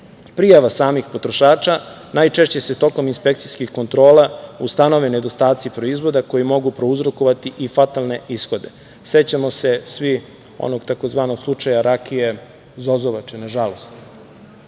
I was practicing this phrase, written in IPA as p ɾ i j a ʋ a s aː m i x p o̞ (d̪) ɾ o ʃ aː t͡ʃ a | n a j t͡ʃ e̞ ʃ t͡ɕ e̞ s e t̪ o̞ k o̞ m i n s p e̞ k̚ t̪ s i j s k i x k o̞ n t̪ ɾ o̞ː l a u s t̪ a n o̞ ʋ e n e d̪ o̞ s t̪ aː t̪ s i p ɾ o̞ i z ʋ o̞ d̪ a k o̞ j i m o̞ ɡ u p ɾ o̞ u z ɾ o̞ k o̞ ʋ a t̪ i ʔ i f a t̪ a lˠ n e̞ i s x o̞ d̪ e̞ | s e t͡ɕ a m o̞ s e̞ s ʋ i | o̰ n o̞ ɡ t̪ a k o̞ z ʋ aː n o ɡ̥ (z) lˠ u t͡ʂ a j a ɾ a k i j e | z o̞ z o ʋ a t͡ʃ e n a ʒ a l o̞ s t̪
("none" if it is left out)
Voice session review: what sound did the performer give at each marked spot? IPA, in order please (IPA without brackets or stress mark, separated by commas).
t̪, s